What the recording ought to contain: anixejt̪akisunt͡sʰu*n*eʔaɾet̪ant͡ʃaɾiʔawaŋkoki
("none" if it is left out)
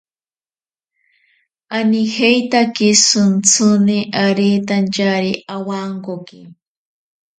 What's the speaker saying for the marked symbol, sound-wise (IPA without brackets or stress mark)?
n